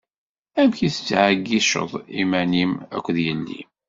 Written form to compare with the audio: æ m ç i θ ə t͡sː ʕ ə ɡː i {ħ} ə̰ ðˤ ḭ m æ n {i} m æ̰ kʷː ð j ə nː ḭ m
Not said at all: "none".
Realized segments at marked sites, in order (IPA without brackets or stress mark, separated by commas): ʃ, i